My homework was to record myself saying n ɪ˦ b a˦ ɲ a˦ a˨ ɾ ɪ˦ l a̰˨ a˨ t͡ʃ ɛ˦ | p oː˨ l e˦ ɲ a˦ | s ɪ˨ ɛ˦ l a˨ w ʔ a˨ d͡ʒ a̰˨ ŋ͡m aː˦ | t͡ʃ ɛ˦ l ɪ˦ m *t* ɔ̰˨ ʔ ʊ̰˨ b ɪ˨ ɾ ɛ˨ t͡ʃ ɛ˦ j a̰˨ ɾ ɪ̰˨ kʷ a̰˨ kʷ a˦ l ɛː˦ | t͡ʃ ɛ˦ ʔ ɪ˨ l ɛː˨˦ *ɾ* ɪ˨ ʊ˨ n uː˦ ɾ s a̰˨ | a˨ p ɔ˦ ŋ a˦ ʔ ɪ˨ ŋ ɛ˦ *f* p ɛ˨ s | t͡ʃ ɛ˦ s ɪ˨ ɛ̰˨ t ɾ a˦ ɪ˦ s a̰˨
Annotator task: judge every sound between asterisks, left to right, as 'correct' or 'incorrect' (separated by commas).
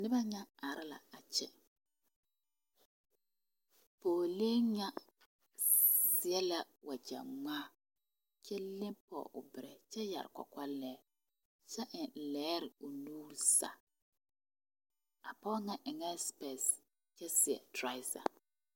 incorrect, correct, incorrect